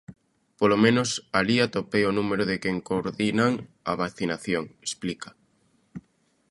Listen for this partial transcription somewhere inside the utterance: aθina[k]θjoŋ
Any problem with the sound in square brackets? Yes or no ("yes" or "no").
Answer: yes